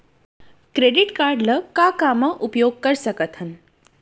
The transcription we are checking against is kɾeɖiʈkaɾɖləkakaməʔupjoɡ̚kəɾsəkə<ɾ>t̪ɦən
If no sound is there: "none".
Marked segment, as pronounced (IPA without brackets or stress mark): none